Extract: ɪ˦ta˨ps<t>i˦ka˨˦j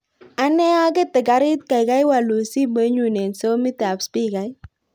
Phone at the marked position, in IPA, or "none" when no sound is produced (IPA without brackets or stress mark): p